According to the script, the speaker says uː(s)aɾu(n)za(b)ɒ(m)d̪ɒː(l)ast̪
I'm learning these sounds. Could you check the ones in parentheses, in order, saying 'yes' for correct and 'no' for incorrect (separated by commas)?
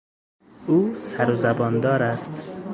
yes, no, yes, no, no